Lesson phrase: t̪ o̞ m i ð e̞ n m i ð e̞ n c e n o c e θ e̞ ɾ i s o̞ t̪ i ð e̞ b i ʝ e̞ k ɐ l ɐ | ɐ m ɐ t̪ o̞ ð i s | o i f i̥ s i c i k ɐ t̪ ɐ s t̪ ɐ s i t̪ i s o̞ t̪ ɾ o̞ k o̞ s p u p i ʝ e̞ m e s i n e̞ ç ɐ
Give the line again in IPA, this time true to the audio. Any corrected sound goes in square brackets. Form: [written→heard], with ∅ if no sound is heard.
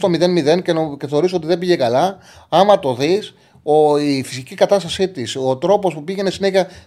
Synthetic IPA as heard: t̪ o̞ m i ð e̞ n m i ð e̞ n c e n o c e θ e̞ ɾ i s o̞ t̪ i ð e̞ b i ʝ e̞ k ɐ l ɐ | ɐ m ɐ t̪ o̞ ð i s | o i f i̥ s i c i k ɐ t̪ ɐ s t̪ ɐ s i t̪ i s o̞ t̪ ɾ o̞ [k→p] o̞ s p u p i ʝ e̞ [m→n] e s i n e̞ ç ɐ